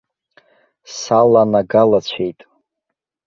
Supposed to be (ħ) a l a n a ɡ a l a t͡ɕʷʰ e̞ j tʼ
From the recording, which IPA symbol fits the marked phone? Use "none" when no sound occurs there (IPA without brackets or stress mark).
s